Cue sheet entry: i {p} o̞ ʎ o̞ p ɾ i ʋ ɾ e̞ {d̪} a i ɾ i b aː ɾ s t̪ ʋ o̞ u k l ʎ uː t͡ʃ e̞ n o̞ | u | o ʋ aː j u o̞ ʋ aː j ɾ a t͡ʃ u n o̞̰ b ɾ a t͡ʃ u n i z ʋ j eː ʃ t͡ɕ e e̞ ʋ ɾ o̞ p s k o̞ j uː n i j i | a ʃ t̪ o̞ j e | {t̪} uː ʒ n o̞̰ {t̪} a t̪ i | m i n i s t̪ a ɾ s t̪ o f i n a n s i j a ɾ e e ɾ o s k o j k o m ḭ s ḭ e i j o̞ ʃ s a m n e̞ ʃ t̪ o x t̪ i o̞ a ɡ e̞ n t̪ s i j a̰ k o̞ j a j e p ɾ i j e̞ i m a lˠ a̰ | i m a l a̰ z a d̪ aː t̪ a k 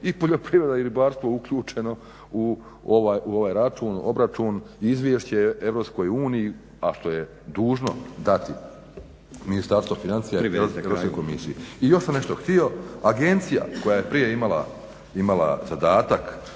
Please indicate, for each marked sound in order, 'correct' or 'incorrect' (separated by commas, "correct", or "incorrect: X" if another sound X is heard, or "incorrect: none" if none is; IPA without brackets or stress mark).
correct, correct, incorrect: d̪, incorrect: d̪